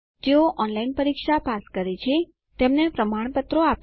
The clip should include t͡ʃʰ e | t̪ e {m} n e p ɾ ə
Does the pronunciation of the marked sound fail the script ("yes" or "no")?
no